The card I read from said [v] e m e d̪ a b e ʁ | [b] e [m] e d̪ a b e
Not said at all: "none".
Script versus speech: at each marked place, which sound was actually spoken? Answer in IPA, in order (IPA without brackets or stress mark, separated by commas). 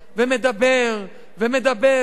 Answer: v, v, m